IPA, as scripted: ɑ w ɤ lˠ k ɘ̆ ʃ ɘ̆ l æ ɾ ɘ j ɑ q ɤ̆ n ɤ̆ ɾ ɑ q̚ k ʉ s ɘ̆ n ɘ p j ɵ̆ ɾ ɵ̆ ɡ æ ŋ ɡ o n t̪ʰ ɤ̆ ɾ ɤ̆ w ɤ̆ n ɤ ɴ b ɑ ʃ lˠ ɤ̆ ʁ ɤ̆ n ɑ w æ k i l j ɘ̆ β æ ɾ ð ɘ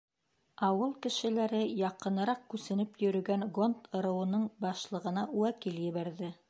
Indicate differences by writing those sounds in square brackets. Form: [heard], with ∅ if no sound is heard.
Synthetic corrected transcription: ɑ w ɤ lˠ k ɘ̆ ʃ ɘ̆ l æ ɾ ɘ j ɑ q ɤ̆ n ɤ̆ ɾ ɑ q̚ k ʉ s ɘ̆ n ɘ p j ɵ̆ ɾ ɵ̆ ɡ æ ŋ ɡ o n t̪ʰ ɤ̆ ɾ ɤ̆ w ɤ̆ n ɤ ɴ b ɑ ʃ lˠ ɤ̆ ʁ ɤ̆ n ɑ w æ k i l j ɘ̆ β æ ɾ ð ɘ